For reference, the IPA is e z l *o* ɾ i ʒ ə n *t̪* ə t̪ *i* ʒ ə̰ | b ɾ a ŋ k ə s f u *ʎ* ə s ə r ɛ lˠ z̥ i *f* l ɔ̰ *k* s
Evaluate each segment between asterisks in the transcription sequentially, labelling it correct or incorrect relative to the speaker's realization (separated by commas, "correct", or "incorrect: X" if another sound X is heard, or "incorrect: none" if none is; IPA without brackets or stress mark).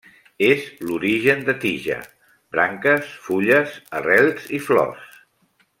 incorrect: u, incorrect: d̪, correct, correct, correct, incorrect: none